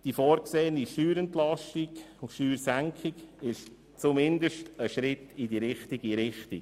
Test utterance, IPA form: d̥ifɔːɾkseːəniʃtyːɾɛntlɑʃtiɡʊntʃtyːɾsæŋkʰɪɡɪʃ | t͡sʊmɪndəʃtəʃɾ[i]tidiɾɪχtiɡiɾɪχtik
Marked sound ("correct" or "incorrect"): incorrect